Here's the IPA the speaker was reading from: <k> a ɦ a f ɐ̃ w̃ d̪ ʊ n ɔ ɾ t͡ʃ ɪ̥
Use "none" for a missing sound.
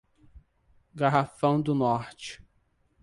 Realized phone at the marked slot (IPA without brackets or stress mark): ɡ